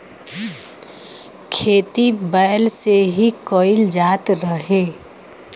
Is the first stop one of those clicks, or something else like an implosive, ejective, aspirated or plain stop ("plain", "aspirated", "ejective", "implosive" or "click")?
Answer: aspirated